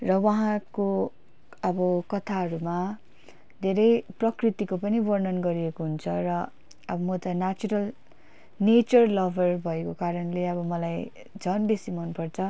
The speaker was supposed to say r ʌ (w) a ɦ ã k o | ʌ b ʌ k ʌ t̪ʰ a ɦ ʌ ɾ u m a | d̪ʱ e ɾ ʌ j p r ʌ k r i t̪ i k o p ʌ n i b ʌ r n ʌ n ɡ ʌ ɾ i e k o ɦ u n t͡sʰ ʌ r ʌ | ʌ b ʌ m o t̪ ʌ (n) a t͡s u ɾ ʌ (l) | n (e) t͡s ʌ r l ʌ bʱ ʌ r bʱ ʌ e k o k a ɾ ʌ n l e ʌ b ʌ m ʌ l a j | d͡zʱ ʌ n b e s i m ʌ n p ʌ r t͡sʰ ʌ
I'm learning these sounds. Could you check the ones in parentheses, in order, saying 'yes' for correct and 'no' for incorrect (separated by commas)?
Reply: yes, yes, yes, yes